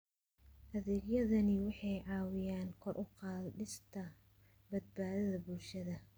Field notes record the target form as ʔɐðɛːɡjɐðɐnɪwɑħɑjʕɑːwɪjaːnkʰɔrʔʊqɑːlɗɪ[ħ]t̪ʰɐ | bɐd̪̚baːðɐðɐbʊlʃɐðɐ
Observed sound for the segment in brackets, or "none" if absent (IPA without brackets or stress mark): s